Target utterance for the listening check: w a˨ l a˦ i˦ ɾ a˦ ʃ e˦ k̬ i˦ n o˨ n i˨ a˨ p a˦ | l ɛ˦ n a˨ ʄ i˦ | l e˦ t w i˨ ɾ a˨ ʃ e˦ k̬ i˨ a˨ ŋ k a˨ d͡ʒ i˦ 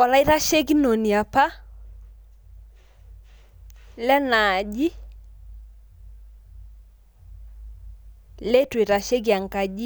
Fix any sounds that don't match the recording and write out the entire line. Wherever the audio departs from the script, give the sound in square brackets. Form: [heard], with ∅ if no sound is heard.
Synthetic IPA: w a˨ l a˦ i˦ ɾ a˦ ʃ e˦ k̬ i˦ n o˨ n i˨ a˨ p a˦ | l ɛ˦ n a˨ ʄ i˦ | l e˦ t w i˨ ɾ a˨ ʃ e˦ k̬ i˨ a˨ ŋ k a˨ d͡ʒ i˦

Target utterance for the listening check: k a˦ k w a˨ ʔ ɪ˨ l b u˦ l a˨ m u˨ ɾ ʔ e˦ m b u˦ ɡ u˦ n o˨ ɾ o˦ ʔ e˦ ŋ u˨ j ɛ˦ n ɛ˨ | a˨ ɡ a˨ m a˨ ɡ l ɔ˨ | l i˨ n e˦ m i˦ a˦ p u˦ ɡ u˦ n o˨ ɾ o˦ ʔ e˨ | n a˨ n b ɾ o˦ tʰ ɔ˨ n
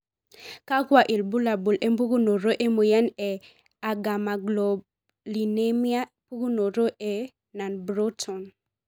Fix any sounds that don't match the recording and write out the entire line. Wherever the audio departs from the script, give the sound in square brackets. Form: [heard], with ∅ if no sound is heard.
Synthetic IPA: k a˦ k w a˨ ʔ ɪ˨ l b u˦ l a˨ [b] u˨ [l] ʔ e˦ m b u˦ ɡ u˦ n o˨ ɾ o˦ ʔ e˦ [m] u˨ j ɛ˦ n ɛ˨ | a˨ ɡ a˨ m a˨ ɡ l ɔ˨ | l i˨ n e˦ m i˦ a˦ p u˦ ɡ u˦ n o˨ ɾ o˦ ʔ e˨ | n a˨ n b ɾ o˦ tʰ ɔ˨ n

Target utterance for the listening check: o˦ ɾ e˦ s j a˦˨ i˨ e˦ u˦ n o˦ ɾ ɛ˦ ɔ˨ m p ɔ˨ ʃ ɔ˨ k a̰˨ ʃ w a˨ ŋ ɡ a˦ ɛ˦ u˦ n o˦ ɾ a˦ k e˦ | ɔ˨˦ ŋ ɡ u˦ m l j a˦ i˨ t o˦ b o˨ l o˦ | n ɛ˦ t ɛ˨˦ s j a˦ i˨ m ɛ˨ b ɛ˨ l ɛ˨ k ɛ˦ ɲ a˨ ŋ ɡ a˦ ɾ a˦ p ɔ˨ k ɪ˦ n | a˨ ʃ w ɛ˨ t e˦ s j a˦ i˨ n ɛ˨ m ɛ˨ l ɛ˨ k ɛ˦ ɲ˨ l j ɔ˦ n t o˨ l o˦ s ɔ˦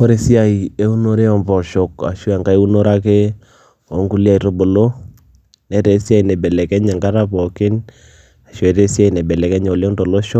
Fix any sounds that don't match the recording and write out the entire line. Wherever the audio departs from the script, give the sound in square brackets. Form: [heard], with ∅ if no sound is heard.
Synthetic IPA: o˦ ɾ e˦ s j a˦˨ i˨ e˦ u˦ n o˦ ɾ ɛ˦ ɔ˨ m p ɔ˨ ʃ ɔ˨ k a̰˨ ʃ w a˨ ŋ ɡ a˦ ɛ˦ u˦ n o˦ ɾ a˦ k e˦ | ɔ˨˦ ŋ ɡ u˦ [∅] l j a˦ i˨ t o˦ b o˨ l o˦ | n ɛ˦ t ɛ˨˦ s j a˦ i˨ [n] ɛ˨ b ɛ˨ l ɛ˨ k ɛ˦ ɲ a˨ ŋ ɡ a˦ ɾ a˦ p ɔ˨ k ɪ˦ n | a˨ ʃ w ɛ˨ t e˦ s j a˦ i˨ n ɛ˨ [b] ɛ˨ l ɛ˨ k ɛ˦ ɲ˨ l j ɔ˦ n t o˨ l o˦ [ʃ] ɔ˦

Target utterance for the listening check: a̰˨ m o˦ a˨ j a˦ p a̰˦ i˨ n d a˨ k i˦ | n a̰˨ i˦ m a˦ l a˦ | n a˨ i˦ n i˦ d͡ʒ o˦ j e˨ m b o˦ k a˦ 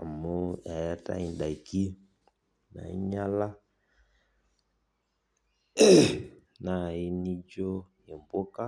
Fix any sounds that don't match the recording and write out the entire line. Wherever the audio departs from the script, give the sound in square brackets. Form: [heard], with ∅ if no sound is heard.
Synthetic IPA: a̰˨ m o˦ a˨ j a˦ [t] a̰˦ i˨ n d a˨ k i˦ | n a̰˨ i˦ [ɲ] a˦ l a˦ | n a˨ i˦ n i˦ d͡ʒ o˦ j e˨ m b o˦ k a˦

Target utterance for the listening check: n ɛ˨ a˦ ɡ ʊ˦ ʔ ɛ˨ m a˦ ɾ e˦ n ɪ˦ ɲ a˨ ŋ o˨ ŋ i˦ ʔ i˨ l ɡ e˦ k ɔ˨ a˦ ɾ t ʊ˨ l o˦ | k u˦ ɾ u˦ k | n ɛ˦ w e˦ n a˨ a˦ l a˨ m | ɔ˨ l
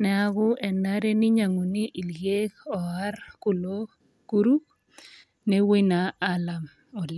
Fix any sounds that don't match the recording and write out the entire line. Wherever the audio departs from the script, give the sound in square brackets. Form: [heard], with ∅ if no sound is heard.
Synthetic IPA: n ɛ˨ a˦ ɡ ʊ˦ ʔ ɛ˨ [n] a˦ ɾ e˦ n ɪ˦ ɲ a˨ ŋ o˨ [n] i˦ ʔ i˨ l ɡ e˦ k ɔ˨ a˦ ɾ [k] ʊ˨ l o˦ | k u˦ ɾ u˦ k | n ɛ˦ w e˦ n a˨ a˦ l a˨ m | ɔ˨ l

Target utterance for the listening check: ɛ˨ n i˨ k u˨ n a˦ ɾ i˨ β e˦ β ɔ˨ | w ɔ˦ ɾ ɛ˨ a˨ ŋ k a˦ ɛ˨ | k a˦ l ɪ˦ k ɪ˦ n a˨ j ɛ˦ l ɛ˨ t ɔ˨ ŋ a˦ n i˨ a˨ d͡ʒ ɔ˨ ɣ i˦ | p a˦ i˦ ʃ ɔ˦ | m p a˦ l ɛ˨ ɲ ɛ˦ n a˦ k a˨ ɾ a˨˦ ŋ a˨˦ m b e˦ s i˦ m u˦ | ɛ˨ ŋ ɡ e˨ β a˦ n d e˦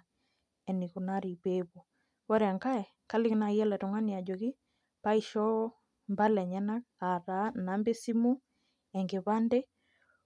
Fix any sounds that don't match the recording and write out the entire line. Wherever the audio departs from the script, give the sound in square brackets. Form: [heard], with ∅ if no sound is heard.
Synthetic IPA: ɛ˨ n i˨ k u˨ n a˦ ɾ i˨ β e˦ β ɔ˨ | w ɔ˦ ɾ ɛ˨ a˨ ŋ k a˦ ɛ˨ | k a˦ l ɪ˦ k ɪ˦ n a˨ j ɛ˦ l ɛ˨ t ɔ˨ ŋ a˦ n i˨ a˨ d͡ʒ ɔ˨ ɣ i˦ | p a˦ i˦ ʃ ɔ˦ | m [b] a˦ l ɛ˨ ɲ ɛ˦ n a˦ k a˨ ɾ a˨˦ [n] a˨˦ m b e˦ s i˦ m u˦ | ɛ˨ ŋ ɡ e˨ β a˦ n d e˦

